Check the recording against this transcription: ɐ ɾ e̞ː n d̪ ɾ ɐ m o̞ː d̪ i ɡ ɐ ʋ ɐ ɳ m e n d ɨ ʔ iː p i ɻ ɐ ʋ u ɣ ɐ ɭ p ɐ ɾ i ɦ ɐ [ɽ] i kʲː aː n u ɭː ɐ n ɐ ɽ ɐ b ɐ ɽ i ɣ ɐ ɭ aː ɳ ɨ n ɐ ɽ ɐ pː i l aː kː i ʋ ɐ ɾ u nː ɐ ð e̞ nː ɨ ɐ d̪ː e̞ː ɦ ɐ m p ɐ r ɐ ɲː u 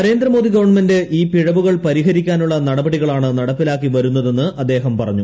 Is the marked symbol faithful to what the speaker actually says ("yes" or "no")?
no